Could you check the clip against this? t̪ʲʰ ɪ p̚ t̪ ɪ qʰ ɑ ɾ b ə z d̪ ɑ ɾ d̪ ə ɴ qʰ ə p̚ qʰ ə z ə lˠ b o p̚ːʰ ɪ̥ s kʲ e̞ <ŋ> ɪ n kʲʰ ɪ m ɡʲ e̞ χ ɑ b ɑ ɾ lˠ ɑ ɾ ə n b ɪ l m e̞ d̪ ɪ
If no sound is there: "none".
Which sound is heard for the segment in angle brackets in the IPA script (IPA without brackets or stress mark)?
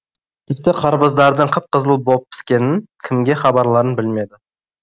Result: n